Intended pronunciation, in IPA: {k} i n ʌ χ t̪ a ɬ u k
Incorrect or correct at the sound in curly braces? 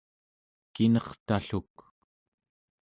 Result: correct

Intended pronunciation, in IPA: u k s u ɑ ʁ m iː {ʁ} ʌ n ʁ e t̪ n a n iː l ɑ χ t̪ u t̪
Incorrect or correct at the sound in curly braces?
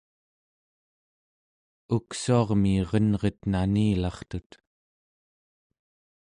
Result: correct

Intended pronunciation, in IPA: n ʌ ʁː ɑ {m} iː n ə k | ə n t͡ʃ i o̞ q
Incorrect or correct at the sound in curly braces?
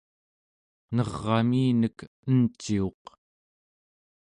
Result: correct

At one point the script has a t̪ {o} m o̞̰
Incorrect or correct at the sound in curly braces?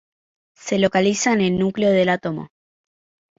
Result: correct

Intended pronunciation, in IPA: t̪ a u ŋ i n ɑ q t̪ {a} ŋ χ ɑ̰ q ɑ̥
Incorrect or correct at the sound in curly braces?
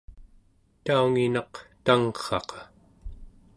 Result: correct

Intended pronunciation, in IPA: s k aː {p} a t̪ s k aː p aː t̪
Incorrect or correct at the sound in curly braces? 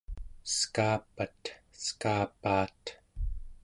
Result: correct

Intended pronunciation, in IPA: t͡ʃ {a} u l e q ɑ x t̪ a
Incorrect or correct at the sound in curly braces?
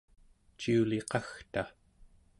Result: incorrect: i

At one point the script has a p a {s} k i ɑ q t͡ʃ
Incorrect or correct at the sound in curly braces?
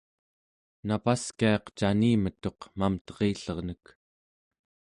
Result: correct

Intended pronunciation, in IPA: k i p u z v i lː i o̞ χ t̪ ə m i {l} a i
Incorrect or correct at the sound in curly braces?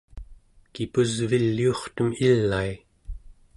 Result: incorrect: lː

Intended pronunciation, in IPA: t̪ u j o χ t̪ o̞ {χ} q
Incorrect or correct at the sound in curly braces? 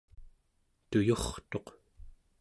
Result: incorrect: none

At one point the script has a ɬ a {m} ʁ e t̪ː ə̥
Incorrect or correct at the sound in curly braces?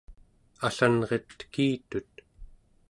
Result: incorrect: n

